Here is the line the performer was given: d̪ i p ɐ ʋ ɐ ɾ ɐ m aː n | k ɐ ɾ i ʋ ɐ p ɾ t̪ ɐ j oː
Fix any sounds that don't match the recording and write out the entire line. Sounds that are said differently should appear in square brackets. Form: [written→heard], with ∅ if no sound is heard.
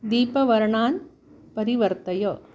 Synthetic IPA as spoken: d̪ [i→iː] p ɐ ʋ ɐ ɾ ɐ [m→ɳ] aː n | [k→p] ɐ ɾ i ʋ ɐ [p→∅] ɾ t̪ ɐ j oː

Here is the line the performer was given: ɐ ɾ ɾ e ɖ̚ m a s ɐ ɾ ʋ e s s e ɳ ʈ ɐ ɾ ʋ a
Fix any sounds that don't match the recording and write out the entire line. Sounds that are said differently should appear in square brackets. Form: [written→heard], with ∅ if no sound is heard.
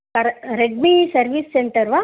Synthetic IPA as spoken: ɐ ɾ ɾ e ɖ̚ m [a→i] s ɐ ɾ ʋ [e→i] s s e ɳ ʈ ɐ ɾ ʋ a

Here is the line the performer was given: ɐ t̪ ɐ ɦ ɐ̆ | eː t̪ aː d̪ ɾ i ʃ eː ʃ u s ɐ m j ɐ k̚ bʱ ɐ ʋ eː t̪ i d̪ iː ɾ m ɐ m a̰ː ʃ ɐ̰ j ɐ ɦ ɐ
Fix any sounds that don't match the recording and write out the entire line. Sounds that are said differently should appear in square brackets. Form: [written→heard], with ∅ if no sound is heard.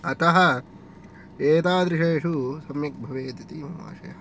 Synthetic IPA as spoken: ɐ t̪ ɐ ɦ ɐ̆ | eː t̪ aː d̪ ɾ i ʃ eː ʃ u s ɐ m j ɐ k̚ bʱ ɐ ʋ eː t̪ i [d̪→t̪] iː [ɾ→∅] m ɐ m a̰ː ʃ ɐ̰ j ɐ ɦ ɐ

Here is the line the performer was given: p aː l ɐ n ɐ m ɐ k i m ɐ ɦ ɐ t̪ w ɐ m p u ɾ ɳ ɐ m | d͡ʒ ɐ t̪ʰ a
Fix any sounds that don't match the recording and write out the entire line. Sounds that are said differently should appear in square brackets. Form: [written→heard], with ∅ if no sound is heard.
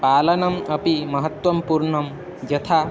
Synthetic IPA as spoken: p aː l ɐ n ɐ m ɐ [k→p] i m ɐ ɦ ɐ t̪ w ɐ m p u ɾ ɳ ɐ m | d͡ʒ ɐ t̪ʰ a

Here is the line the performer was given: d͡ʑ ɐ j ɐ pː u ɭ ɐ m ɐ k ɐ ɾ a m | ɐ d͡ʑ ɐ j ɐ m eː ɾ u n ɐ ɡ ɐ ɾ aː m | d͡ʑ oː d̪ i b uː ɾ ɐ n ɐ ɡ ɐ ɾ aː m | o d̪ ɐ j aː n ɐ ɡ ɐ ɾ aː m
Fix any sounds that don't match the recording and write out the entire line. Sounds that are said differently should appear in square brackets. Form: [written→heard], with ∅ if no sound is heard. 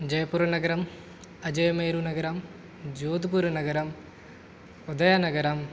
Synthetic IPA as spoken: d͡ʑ ɐ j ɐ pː u [ɭ→ɾ] ɐ [m→n] ɐ [k→ɡ] ɐ ɾ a m | ɐ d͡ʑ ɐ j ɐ m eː ɾ u n ɐ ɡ ɐ ɾ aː m | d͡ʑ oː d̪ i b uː ɾ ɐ n ɐ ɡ ɐ ɾ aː m | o d̪ ɐ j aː n ɐ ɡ ɐ ɾ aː m

